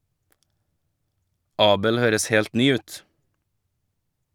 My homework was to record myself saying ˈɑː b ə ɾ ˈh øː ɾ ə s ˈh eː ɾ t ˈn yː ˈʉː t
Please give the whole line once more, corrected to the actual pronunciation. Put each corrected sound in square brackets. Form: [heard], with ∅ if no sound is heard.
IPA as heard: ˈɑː b ə [l] ˈh øː ɾ ə s ˈh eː [l] t ˈn yː ˈʉː t